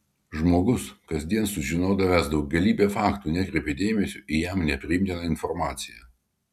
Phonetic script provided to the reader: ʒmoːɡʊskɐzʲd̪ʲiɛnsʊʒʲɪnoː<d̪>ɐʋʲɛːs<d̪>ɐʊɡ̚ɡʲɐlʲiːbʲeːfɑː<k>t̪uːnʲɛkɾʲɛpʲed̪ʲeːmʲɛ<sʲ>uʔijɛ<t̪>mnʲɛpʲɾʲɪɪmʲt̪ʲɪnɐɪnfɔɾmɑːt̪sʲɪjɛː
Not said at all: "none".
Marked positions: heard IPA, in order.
d̪, d̪, k, sʲ, none

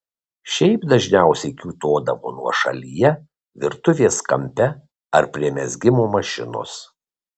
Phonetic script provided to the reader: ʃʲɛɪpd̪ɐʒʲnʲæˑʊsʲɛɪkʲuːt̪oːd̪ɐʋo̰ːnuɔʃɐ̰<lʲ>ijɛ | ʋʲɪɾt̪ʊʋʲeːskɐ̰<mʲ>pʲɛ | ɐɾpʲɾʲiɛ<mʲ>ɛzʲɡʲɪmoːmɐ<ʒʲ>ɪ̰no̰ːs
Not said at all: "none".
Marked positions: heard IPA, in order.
lʲ, mʲ, mʲ, ʃʲ

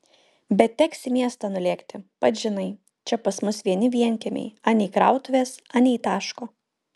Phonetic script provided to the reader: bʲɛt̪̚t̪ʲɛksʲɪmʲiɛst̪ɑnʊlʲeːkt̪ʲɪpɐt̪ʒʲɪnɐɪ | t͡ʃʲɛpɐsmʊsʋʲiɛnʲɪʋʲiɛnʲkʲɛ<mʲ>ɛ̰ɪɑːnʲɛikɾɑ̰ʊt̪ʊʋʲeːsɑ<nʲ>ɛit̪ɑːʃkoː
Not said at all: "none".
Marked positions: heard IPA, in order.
mʲ, nʲ

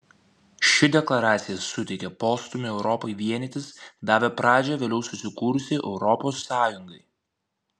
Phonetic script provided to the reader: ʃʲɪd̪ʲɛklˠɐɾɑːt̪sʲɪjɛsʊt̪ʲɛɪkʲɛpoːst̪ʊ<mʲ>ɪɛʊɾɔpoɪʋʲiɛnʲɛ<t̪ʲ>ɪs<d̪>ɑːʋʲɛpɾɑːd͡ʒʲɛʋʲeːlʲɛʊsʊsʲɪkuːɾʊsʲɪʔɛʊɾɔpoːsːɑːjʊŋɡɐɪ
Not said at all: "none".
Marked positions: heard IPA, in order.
mʲ, t̪ʲ, d̪

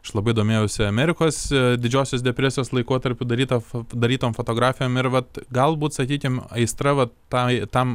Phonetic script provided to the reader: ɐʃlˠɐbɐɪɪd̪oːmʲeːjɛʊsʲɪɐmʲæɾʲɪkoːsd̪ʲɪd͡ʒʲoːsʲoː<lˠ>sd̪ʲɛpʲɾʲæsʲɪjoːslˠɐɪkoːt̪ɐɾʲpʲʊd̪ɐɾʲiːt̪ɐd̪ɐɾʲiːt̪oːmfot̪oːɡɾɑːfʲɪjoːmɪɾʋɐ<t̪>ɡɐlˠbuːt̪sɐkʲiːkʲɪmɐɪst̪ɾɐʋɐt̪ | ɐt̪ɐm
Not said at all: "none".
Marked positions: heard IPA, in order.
none, t̪

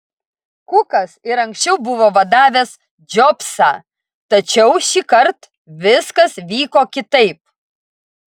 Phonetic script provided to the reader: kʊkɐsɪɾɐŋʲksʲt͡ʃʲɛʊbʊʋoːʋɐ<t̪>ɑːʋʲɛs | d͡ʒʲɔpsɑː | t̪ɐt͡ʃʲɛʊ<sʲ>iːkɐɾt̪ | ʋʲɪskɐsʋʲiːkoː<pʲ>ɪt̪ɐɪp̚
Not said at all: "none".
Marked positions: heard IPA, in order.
d̪, ʃʲ, kʲ

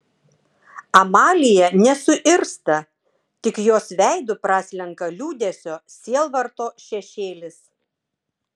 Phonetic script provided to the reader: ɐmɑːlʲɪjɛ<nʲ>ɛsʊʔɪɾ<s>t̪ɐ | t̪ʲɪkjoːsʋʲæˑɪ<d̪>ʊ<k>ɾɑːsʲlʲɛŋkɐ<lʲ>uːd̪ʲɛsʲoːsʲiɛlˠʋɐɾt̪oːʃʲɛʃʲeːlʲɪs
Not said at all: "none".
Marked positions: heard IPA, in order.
nʲ, s, d̪, p, lʲ

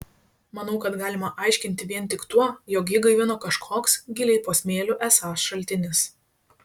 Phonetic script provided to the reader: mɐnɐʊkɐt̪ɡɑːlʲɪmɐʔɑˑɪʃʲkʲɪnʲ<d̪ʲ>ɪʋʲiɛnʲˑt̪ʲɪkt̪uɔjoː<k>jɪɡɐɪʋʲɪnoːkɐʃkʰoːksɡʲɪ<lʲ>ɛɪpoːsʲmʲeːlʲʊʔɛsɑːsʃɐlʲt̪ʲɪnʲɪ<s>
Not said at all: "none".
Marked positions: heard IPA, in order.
t̪ʲ, k, lʲ, s

